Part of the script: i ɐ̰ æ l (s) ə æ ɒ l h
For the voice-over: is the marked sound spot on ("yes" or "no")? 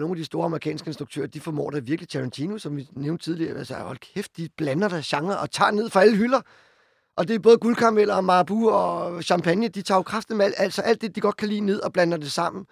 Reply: yes